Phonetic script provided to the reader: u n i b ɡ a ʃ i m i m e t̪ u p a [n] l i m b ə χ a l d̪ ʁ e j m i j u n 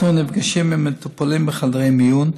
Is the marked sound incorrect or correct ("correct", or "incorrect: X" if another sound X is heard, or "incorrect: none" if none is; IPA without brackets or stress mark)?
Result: incorrect: none